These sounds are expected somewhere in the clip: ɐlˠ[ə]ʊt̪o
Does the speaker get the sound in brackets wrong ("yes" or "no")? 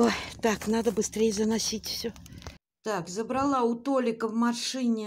yes